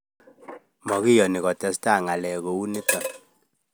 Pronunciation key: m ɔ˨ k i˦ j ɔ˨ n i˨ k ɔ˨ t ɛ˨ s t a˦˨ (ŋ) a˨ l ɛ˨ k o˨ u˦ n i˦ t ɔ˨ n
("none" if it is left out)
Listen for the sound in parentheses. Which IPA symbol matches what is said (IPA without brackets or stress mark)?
ŋ